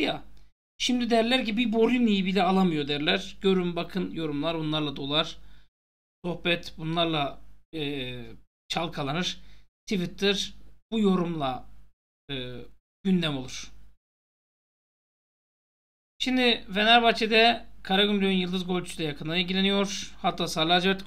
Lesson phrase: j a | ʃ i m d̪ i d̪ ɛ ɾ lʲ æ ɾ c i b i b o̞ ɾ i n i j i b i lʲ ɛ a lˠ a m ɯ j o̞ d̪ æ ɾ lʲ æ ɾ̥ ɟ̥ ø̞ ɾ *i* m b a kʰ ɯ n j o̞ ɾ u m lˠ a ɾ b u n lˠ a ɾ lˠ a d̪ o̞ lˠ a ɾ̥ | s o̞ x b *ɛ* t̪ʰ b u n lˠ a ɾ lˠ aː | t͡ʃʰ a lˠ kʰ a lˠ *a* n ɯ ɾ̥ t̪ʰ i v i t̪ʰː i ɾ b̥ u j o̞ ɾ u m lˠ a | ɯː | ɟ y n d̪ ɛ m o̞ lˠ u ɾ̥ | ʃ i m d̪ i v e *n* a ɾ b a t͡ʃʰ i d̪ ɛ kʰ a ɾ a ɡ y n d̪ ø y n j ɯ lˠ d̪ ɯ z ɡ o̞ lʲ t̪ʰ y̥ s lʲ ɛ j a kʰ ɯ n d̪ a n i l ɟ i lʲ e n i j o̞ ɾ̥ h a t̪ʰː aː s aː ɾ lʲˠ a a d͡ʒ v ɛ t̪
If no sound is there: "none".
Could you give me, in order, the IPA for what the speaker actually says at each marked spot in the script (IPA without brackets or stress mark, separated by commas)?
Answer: y, ɛ, a, n